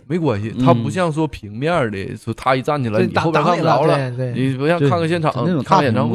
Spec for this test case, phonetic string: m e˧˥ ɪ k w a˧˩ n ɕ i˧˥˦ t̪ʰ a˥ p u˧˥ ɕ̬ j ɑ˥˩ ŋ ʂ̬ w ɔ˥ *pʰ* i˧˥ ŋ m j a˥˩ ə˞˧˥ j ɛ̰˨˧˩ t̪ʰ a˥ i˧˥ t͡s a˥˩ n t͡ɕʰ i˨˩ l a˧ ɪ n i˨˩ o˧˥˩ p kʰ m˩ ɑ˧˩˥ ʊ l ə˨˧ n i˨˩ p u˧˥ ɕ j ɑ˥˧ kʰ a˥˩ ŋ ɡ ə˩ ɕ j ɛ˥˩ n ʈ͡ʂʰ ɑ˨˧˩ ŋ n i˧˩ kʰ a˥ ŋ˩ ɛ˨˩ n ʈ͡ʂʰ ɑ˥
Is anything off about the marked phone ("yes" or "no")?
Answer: no